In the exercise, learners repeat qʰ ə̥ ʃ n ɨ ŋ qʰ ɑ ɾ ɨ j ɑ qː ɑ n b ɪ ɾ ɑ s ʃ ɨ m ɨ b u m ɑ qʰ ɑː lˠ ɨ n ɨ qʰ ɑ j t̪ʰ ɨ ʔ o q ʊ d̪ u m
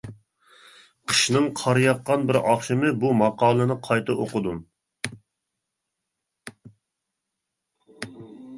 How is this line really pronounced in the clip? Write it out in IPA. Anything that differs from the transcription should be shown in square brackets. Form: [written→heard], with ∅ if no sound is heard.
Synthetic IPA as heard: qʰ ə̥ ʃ n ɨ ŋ qʰ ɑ ɾ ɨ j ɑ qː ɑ n b ɪ ɾ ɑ [s→χ] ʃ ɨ m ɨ b u m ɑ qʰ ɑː lˠ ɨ n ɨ qʰ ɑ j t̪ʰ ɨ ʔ o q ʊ d̪ u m